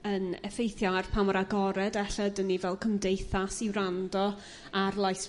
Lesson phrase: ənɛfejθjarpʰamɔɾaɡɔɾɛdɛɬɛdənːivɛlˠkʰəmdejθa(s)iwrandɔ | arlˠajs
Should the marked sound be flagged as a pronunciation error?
no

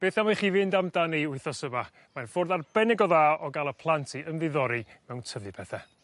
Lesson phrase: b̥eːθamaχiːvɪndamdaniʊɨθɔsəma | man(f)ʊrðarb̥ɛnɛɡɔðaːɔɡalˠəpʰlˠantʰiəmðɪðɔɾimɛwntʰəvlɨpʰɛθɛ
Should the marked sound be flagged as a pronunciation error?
no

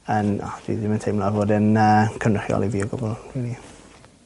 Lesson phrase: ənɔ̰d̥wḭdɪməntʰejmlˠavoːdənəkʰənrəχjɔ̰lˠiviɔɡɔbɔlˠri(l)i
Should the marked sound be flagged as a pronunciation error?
no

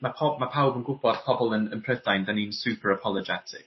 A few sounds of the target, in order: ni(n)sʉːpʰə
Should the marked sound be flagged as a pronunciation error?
no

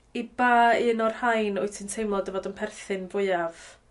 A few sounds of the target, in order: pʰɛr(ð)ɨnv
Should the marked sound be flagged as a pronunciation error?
yes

